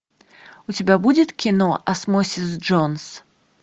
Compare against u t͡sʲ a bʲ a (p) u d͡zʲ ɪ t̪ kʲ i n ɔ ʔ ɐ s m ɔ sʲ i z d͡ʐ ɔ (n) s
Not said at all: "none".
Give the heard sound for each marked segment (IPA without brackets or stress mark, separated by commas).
b, n